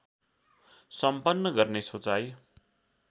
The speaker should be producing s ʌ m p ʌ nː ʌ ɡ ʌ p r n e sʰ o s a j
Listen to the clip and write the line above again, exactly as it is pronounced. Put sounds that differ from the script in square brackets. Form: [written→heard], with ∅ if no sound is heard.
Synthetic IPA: s ʌ m p ʌ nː ʌ ɡ ʌ [p→∅] r n e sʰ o [s→t͡s] a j